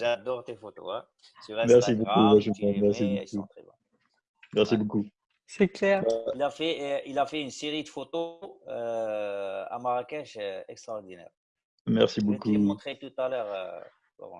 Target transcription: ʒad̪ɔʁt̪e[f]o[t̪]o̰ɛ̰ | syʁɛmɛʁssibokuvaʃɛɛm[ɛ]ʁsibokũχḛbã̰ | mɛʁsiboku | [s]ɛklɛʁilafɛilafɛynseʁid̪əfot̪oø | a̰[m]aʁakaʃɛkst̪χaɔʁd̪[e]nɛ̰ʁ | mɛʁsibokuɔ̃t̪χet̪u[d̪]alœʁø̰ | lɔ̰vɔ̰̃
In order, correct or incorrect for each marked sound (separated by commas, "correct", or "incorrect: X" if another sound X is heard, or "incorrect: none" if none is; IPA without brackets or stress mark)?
correct, correct, correct, correct, correct, incorrect: i, incorrect: t̪